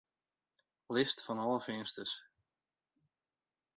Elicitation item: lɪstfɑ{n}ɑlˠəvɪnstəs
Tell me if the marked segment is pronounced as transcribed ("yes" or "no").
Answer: yes